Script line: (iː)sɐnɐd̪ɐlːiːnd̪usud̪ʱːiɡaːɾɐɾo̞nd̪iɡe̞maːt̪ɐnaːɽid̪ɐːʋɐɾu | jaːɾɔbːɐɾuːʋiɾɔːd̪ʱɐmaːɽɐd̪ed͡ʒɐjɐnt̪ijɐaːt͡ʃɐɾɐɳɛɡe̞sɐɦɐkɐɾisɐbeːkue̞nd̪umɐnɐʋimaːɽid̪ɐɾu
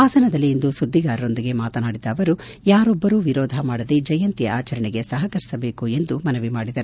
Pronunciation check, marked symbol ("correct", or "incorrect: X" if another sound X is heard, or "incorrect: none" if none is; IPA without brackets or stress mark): incorrect: aː